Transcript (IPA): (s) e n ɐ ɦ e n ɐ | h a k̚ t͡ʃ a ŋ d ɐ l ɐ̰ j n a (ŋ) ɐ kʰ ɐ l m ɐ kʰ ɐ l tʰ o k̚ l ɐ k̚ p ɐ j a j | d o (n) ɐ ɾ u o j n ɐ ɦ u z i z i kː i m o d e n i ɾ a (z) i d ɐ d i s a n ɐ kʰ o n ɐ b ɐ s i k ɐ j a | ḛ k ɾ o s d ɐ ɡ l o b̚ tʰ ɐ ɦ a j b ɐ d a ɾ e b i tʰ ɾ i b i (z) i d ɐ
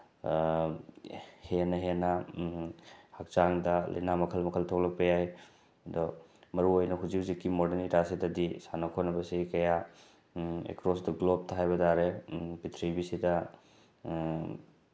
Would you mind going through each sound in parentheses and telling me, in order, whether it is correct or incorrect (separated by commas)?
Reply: incorrect, incorrect, incorrect, incorrect, incorrect